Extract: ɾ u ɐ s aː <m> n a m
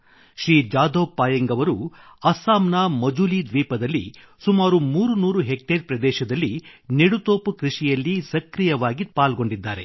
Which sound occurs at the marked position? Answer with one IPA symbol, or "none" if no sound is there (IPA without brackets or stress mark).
m